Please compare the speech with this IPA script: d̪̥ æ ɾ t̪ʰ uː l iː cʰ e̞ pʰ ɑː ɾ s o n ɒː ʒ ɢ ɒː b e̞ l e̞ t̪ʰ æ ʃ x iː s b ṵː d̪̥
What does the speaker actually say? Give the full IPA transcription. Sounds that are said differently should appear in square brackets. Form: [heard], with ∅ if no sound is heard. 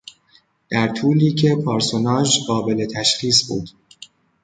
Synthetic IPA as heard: d̪̥ æ ɾ t̪ʰ uː l iː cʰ e̞ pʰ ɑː ɾ s o n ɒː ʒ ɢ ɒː b e̞ l e̞ t̪ʰ æ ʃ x iː s b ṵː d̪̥